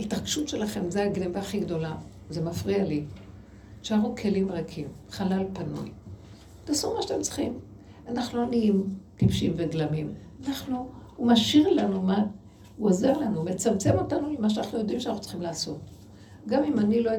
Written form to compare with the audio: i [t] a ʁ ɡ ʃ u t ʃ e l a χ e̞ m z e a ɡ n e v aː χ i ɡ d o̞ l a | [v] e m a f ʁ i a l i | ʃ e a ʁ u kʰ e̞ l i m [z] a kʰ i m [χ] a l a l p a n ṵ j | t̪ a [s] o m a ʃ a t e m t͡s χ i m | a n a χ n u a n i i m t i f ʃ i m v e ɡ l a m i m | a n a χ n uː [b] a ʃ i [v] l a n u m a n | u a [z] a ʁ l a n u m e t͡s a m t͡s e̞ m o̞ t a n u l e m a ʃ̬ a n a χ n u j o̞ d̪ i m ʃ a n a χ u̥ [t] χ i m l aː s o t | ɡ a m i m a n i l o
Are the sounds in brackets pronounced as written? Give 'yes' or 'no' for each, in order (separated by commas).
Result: yes, no, no, yes, yes, no, no, yes, no